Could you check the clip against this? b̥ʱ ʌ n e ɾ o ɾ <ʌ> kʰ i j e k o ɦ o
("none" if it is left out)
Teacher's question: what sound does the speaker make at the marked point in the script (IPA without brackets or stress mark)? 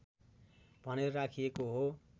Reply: a